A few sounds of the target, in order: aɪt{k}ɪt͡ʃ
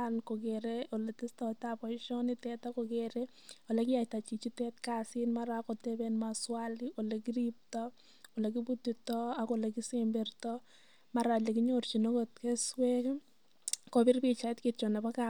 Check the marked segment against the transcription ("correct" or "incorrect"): correct